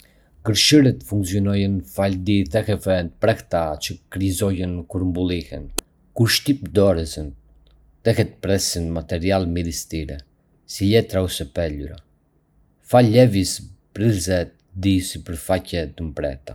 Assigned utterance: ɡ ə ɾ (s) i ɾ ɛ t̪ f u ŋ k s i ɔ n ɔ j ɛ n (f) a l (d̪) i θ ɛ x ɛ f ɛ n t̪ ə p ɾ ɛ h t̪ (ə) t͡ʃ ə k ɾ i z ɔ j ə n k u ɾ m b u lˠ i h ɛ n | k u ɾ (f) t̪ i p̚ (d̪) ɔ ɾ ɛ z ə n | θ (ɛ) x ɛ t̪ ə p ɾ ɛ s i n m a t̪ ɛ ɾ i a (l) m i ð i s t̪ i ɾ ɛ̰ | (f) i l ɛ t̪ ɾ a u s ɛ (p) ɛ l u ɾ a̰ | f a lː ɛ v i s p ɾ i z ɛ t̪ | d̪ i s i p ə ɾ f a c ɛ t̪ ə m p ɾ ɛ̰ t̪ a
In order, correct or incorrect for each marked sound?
incorrect: ʃ, correct, correct, incorrect: a, incorrect: ʃ, correct, correct, correct, incorrect: s, correct

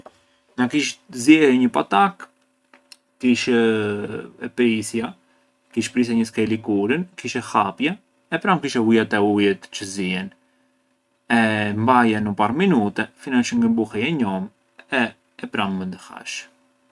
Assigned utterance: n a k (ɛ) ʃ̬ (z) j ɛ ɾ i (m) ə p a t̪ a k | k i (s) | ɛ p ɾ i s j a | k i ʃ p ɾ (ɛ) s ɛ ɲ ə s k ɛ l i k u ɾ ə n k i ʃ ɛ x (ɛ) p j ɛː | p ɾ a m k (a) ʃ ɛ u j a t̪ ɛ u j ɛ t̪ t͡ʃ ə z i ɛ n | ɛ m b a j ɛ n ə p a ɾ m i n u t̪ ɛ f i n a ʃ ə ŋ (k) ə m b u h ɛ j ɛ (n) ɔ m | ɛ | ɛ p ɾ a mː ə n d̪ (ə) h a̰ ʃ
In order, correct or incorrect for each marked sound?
incorrect: i, correct, incorrect: ɲ, incorrect: ʃ, incorrect: i, incorrect: a, incorrect: i, incorrect: ɡ, incorrect: ɲ, correct

